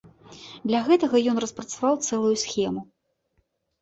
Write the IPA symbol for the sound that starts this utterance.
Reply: d̪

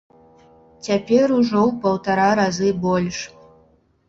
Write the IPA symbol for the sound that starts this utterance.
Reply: t͡sʲ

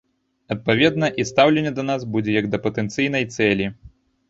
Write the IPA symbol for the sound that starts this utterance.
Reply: ɐ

